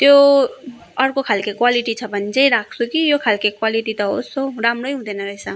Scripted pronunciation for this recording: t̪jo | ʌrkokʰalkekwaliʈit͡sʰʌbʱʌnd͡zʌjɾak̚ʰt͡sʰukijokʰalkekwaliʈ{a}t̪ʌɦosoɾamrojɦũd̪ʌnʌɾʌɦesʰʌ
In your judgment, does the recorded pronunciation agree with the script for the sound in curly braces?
no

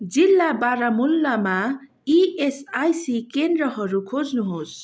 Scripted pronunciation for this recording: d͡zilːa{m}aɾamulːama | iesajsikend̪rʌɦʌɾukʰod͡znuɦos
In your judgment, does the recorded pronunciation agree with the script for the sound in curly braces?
no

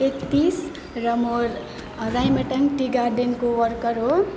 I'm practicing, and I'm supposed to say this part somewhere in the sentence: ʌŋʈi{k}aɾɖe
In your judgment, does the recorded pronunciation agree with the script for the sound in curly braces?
no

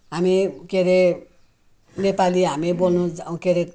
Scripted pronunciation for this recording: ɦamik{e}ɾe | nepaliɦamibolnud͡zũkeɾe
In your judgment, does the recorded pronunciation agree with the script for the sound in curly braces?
yes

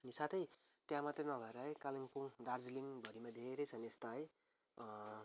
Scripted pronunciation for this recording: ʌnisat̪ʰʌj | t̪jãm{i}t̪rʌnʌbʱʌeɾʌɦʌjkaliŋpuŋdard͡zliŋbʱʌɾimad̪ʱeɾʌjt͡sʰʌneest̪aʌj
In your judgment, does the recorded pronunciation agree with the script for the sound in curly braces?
no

